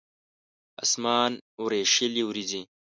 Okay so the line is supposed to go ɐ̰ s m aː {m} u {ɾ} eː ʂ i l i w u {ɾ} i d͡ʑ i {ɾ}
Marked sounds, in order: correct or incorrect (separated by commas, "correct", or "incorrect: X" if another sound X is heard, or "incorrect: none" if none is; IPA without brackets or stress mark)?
incorrect: n, correct, correct, incorrect: none